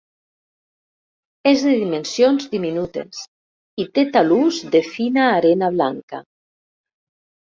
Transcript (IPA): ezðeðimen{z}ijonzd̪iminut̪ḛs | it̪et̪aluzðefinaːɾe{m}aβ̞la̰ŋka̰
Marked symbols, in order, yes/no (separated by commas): no, no